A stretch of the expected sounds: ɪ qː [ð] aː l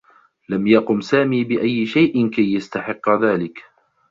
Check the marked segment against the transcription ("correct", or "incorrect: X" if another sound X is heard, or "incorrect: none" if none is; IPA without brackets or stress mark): correct